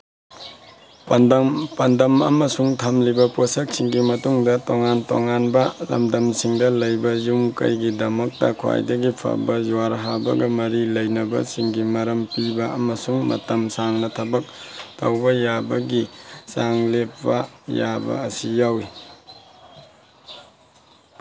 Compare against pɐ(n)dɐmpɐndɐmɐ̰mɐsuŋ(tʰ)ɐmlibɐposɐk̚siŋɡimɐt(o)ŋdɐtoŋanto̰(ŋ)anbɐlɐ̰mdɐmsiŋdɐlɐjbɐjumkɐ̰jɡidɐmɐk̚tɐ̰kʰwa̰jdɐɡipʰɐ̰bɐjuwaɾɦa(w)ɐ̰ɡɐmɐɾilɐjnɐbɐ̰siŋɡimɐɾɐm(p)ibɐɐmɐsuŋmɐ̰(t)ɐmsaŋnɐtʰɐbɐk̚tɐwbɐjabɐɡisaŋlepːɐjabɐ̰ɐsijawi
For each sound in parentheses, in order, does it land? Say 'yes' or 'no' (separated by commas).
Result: yes, yes, no, yes, no, yes, yes